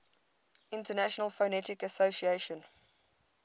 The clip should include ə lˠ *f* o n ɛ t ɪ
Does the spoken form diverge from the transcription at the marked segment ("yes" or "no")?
no